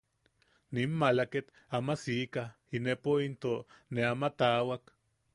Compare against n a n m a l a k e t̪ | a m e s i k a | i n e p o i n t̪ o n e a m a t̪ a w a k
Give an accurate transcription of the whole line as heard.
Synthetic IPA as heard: n i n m a l a k e t̪ | a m a s i k a | i n e p o i n t̪ o n e a m a t̪ a w a k